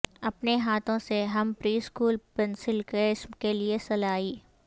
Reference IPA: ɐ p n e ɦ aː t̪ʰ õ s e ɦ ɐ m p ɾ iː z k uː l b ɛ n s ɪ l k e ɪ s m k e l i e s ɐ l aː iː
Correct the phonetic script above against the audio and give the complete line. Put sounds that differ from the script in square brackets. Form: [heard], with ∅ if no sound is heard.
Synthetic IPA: ɐ p n e ɦ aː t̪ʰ õ s e ɦ ɐ m p ɾ iː [s] k uː l [p] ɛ n s ɪ l k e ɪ s m k e l i e s ɐ l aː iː